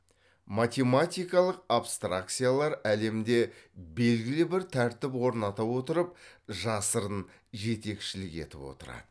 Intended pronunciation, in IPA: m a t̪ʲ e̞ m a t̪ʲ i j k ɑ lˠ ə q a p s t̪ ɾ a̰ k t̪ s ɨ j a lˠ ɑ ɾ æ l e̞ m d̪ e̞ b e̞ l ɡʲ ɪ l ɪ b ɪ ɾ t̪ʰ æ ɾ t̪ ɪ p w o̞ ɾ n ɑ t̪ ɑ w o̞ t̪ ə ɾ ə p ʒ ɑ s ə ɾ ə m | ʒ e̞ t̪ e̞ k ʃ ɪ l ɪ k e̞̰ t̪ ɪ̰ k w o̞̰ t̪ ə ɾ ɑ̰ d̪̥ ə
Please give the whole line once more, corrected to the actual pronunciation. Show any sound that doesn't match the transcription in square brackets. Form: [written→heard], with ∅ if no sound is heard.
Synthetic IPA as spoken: m a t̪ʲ e̞ m a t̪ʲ i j k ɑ lˠ ə q a p s t̪ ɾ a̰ k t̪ s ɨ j a lˠ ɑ ɾ æ l e̞ m d̪ e̞ b e̞ l ɡʲ ɪ l ɪ b ɪ ɾ t̪ʰ æ ɾ t̪ ɪ p w o̞ ɾ n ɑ t̪ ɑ w o̞ t̪ ə ɾ ə p ʒ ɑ s ə ɾ ə [m→n] | ʒ e̞ t̪ e̞ k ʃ ɪ l ɪ k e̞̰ t̪ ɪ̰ [k→p] w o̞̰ t̪ ə ɾ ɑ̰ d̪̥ ə